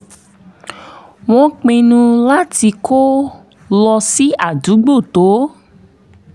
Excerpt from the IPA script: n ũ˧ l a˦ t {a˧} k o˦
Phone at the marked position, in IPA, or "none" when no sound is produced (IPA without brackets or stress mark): i˧